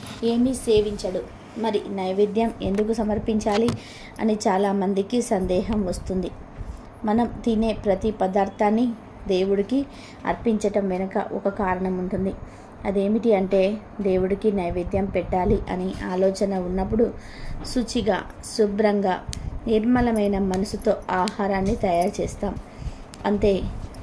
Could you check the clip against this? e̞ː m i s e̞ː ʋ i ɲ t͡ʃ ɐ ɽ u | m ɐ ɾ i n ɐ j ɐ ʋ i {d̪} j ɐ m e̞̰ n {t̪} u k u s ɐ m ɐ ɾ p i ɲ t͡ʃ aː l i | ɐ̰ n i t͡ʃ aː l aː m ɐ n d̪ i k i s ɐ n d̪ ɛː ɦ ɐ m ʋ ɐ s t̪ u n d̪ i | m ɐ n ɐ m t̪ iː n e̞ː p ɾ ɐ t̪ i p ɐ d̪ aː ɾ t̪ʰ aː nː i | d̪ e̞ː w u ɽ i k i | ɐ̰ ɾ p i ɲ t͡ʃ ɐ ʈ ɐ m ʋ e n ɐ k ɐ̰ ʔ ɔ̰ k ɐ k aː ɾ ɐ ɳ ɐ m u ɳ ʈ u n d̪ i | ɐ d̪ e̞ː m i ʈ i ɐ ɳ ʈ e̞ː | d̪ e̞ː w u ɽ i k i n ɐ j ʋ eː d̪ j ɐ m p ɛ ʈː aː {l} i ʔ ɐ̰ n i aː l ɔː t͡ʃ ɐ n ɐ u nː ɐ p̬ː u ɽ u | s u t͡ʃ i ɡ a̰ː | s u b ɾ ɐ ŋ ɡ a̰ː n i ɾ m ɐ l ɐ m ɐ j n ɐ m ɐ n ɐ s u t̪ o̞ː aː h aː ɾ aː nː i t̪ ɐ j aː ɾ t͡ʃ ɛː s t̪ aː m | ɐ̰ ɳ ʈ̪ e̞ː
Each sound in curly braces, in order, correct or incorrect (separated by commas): correct, incorrect, correct